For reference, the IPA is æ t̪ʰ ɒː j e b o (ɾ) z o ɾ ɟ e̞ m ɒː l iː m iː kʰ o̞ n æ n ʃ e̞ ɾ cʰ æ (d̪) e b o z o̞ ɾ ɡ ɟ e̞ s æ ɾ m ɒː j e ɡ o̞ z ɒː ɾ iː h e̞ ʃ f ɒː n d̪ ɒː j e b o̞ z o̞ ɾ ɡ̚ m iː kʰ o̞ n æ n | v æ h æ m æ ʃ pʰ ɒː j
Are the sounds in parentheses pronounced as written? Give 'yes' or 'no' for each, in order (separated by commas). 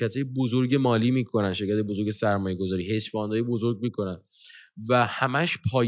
no, no